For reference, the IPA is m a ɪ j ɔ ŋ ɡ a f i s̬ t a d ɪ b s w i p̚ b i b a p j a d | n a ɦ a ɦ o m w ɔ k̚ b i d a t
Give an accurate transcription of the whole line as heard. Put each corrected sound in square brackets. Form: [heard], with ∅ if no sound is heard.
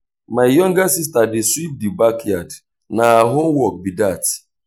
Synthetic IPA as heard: m a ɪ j ɔ ŋ ɡ a [s] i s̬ t a d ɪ [∅] s w i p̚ [d] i b a [k] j a d | n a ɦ a ɦ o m w ɔ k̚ b i d a t